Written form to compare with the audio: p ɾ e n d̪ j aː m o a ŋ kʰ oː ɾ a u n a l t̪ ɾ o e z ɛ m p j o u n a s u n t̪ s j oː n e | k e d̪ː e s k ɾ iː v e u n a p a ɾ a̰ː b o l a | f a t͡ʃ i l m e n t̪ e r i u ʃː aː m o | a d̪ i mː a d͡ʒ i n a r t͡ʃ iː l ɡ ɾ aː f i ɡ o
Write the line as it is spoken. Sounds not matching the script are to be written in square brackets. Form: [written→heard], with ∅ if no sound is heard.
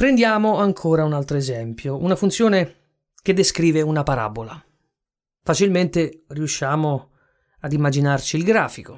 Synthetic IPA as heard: p ɾ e n d̪ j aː m o a ŋ kʰ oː ɾ a u n a l t̪ ɾ o e z ɛ m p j o u n a [s→f] u n t̪ s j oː n e | k e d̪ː e s k ɾ iː v e u n a p a ɾ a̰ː b o l a | f a t͡ʃ i l m e n t̪ e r i u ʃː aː m o | a d̪ i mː a d͡ʒ i n a r t͡ʃ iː l ɡ ɾ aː f i [ɡ→k] o